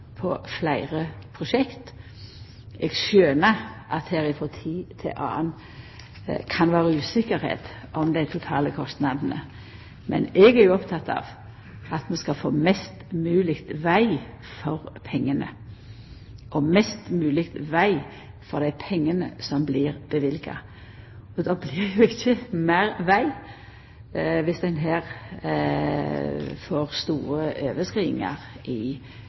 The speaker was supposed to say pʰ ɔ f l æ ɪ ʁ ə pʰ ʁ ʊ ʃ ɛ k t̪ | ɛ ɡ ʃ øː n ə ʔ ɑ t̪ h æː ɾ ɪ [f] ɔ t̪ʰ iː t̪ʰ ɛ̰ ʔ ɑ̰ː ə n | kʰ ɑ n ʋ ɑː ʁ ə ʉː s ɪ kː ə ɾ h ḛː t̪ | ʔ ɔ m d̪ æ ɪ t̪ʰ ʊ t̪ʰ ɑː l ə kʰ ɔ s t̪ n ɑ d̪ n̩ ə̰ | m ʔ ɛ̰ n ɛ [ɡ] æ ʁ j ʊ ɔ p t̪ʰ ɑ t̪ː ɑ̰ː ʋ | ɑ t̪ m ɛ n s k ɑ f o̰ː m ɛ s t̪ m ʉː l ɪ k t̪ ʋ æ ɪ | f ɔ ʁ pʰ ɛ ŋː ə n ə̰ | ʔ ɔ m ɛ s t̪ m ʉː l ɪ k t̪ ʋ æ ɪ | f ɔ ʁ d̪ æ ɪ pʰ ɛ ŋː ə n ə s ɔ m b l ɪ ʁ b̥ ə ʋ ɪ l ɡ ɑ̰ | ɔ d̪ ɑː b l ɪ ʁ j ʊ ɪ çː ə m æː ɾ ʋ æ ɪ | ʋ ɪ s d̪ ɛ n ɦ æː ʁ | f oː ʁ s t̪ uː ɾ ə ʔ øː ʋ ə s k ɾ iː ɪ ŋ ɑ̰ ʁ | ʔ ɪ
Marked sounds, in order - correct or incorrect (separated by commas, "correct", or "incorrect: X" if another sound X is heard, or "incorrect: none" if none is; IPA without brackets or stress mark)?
correct, correct